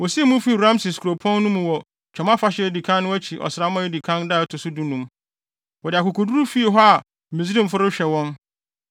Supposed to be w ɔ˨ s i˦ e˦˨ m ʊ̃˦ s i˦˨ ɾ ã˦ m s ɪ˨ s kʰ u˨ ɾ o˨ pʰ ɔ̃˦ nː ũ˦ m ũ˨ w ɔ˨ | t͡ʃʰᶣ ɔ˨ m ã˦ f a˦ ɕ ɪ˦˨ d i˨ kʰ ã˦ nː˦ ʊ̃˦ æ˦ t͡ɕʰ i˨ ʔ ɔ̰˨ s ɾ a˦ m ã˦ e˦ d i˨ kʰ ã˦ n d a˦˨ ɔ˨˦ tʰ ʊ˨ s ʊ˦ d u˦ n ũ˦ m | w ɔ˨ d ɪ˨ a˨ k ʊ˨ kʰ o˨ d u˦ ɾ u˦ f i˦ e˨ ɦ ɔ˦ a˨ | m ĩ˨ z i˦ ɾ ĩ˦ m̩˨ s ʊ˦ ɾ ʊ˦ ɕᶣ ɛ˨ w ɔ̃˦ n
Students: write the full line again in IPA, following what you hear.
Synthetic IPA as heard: w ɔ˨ s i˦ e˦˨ m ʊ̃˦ f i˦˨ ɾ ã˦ m s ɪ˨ s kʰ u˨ ɾ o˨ pʰ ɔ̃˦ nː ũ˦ m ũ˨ w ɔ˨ | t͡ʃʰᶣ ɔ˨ m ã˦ f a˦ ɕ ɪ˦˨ d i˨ kʰ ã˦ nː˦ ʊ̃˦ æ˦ t͡ɕʰ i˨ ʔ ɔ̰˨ s ɾ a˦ m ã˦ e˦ d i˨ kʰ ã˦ n d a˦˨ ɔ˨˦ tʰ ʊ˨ s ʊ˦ d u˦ n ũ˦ m | w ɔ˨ d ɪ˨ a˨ k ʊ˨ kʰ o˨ d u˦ ɾ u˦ f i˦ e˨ ɦ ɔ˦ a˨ | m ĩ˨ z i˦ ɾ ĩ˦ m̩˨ f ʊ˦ ɾ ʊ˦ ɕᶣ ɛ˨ w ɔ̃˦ n